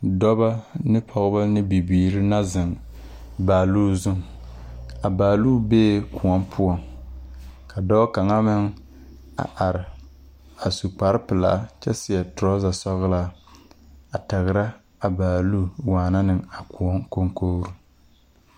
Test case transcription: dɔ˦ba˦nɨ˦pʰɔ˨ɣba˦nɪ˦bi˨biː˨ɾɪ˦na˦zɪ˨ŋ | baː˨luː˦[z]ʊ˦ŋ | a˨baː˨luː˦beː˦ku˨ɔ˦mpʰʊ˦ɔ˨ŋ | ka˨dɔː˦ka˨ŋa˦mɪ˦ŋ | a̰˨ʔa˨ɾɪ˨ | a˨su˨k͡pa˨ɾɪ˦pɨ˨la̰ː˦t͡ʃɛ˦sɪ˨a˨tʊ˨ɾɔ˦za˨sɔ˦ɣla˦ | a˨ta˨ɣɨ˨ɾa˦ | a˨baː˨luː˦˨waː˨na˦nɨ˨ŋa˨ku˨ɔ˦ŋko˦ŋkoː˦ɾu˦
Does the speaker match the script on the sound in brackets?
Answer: yes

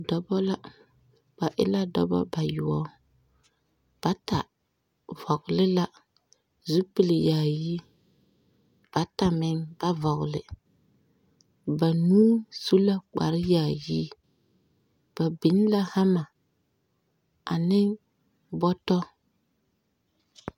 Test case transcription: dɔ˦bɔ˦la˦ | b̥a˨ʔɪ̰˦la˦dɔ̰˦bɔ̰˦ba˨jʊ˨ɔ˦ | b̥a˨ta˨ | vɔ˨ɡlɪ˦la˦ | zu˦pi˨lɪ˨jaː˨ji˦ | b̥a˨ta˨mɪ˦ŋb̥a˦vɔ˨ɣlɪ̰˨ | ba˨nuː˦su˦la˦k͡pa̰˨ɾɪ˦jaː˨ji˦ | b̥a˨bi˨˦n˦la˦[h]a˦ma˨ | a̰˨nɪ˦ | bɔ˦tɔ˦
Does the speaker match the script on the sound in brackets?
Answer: yes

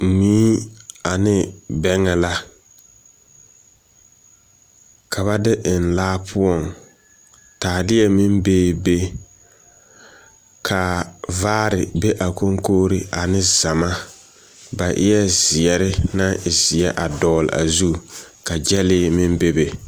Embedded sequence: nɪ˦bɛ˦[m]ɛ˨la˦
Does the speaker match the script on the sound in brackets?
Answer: no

